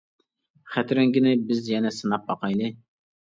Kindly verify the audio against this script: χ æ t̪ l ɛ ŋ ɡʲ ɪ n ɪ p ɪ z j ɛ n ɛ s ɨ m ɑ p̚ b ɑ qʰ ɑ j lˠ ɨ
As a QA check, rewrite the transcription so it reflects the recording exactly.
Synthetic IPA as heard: χ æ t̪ ɾ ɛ ŋ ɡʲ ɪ n ɪ b ɪ z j ɛ n ɛ s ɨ n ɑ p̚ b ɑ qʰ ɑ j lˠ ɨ